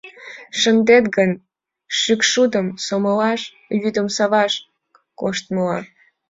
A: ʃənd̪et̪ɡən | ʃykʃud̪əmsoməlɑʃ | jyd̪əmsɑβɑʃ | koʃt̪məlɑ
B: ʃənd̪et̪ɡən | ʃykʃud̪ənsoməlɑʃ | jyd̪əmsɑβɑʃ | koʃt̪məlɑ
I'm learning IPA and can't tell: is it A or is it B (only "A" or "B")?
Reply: A